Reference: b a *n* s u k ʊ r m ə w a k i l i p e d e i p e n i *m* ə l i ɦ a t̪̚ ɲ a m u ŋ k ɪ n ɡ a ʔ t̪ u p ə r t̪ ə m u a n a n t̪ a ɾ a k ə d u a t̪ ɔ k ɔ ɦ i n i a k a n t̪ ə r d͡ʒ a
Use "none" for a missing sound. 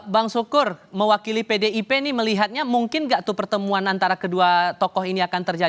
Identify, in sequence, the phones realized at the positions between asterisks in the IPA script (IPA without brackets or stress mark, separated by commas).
ŋ, m